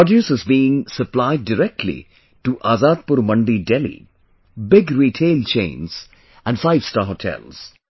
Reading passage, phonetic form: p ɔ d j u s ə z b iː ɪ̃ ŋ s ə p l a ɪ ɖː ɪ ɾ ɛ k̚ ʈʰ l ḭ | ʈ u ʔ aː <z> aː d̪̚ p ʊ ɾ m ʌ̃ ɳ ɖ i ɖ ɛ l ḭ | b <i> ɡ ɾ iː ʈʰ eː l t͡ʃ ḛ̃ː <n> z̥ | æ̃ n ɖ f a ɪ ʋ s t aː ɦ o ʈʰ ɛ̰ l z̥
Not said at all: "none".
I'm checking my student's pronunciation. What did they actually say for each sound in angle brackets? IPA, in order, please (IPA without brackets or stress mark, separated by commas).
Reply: z, ɪ, n